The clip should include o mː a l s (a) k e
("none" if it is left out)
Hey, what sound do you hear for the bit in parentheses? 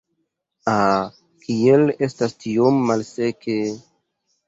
e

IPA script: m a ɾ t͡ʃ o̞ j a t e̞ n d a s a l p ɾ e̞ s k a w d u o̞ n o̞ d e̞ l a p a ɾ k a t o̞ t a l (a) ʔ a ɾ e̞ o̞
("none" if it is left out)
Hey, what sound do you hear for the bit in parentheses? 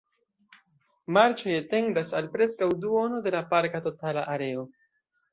a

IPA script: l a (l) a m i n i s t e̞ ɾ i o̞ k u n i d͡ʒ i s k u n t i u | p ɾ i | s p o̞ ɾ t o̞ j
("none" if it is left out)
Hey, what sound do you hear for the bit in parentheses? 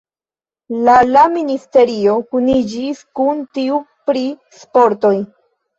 l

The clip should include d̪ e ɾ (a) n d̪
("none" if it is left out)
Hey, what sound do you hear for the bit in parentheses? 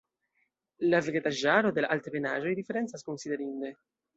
i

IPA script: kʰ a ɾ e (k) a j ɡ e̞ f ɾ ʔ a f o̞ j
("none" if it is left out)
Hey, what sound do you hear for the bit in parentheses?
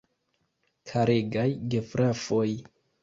ɡ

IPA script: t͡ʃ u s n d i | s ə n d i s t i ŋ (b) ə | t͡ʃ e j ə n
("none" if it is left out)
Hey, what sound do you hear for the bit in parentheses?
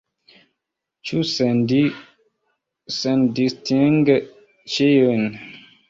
ɡ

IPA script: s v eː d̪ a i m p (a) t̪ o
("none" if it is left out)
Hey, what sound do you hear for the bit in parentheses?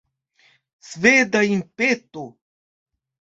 e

